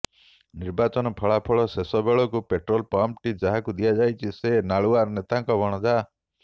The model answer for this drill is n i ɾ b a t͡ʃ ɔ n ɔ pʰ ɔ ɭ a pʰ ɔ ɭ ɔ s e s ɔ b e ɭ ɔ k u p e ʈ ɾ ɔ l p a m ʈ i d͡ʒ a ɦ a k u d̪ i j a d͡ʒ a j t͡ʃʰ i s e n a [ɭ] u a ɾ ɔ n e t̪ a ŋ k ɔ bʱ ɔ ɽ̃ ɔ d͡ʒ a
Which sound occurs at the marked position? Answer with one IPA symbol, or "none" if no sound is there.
ɭ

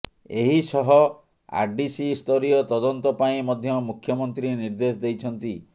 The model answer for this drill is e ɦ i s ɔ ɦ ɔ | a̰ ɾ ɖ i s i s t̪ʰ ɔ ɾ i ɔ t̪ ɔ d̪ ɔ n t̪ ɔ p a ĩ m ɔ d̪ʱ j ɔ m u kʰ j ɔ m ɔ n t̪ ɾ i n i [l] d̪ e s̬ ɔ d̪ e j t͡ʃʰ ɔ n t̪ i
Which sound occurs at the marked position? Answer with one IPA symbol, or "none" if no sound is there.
ɾ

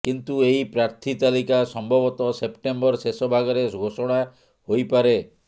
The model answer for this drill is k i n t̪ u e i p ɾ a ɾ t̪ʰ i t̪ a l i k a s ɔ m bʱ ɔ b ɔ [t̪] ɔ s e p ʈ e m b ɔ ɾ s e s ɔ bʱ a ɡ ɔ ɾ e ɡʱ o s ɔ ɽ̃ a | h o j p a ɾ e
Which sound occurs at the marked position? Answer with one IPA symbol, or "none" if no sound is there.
t̪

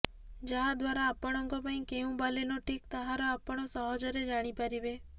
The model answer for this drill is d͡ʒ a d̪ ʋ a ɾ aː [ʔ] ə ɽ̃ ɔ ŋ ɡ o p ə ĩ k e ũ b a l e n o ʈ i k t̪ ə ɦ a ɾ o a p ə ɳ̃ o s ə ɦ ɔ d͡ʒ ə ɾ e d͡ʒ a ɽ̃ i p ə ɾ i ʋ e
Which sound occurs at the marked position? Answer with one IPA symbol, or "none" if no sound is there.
p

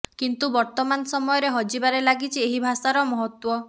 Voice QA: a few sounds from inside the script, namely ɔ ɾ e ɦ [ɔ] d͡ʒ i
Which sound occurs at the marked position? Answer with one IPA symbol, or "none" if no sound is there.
ɔ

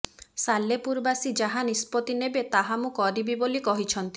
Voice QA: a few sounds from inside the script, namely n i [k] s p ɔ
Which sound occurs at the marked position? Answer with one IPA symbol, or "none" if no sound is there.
none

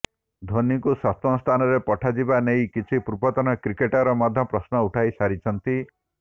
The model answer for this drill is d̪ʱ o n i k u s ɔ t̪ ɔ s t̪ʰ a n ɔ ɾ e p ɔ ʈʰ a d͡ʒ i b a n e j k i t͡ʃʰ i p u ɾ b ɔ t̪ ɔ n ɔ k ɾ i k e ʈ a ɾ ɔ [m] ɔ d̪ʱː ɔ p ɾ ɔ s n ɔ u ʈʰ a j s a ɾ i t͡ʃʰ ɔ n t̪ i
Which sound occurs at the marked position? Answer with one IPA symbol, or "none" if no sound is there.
m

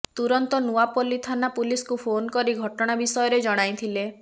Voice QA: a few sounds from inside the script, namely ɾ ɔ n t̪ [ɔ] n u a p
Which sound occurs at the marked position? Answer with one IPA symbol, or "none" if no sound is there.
ɔ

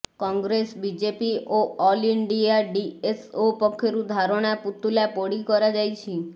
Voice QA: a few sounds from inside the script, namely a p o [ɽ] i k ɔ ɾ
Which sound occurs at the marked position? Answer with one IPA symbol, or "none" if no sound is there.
ɽ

